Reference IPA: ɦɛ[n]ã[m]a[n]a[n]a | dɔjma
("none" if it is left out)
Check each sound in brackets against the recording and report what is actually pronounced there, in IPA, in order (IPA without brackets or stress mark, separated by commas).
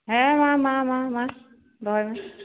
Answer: m, m, m, m